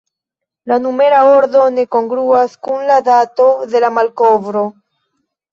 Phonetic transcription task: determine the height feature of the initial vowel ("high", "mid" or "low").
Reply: low